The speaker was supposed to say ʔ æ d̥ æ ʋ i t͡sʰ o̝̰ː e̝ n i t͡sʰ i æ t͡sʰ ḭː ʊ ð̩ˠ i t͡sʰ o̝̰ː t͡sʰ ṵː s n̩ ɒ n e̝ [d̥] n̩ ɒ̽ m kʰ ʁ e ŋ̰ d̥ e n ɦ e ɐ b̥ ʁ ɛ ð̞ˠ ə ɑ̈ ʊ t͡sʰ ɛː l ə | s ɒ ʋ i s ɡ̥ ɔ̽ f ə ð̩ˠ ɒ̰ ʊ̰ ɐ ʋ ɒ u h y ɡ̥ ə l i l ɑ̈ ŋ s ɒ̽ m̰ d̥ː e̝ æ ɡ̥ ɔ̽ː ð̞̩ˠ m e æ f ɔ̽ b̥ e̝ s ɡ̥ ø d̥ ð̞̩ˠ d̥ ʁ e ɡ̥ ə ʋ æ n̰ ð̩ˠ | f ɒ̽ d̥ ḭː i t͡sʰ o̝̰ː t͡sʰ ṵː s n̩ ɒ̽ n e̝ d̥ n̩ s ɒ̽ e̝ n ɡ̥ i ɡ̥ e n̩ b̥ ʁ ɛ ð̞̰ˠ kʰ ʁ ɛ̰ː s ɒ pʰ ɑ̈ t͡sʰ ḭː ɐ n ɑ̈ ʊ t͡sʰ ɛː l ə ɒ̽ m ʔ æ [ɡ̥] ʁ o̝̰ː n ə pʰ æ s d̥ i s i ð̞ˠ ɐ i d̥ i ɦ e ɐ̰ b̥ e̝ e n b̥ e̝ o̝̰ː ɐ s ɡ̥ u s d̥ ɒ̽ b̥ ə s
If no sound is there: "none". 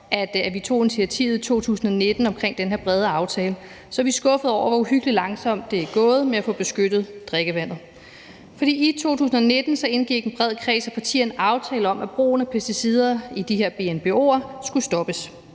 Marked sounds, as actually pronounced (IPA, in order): d̥, b̥

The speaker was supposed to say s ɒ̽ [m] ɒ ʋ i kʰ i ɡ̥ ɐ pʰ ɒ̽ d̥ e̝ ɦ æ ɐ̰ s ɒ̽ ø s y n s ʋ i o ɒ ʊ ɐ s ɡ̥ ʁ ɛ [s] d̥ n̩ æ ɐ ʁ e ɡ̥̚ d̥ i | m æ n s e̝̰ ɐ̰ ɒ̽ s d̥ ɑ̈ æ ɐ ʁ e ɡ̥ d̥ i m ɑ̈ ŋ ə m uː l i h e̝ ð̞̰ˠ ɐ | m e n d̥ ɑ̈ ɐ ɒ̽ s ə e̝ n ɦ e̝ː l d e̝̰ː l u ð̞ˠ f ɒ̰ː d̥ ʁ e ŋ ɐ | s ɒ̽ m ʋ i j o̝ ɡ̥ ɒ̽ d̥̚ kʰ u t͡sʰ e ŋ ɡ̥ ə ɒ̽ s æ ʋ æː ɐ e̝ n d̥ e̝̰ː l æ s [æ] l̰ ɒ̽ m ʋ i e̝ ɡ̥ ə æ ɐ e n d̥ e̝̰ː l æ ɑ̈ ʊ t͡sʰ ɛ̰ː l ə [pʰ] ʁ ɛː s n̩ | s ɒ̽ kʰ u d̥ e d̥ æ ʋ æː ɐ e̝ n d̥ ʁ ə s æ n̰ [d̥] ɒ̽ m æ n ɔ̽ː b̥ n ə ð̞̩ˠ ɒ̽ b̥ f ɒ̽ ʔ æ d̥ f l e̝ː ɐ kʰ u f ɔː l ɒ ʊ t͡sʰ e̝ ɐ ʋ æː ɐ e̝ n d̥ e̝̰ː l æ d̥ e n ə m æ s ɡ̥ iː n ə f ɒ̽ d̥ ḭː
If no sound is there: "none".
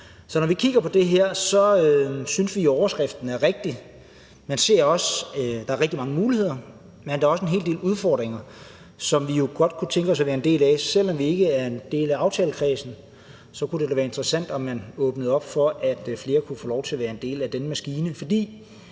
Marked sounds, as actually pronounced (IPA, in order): n, f, e, kʰ, d̥

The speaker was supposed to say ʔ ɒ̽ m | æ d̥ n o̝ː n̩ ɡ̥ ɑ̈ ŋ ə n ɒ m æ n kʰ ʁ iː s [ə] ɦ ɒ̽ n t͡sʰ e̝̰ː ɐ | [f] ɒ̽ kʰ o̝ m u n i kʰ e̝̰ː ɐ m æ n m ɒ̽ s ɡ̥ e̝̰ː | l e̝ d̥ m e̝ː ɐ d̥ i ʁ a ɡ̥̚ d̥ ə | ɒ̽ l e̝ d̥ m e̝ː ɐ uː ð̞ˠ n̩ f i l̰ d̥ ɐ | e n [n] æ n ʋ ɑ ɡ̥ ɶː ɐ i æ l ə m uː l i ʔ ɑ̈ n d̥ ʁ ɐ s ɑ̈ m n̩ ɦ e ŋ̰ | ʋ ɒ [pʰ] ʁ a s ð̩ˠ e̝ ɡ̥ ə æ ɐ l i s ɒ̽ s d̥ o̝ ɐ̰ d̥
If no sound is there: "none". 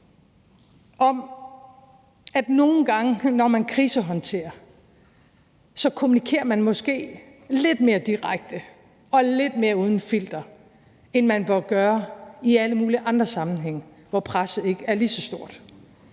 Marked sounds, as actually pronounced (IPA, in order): ə, s, m, pʰ

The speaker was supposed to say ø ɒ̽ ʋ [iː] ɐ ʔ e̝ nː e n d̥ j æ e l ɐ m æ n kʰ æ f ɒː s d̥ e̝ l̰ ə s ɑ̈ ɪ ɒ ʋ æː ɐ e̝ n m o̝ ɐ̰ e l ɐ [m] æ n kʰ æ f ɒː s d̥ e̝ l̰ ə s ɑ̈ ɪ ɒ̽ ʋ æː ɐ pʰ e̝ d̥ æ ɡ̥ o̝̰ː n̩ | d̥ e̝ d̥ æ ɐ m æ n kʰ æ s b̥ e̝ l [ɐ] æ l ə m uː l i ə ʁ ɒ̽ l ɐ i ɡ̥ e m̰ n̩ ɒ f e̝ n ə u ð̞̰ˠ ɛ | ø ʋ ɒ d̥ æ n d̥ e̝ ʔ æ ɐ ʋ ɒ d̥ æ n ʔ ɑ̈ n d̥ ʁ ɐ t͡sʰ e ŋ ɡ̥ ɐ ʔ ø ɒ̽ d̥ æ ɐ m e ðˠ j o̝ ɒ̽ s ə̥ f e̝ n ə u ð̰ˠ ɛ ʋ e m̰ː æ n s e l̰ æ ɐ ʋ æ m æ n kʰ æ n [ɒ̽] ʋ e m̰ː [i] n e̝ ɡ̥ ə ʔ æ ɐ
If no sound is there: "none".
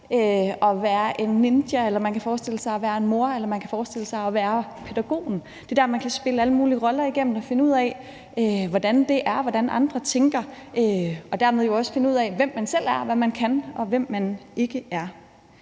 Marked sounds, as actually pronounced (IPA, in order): æː, m, ə, ɒ̽, æ

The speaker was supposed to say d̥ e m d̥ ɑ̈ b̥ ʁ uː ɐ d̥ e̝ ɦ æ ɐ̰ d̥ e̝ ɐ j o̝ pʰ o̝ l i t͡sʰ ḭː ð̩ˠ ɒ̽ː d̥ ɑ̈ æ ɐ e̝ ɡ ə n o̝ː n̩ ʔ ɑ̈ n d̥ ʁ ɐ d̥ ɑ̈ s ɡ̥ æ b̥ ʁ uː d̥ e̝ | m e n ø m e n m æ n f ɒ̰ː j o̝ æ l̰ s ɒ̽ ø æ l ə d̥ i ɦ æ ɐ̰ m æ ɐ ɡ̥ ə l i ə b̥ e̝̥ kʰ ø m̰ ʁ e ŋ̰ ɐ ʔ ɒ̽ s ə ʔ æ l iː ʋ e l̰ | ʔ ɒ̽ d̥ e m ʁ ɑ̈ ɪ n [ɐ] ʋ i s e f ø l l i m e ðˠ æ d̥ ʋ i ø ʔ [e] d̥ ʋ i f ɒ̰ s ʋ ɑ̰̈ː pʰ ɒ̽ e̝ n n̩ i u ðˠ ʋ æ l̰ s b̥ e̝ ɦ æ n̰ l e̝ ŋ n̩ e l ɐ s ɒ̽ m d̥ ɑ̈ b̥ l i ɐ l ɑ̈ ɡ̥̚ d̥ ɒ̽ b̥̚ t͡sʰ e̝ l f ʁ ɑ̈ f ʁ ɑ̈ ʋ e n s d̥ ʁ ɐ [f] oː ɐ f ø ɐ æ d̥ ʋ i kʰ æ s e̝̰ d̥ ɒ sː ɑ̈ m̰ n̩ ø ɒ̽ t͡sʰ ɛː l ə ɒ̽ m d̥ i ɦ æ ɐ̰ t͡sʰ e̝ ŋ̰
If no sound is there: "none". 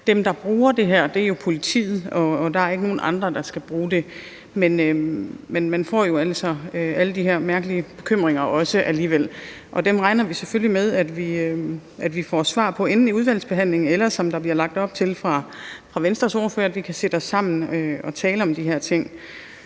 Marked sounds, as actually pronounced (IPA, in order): ɐ, æ, s

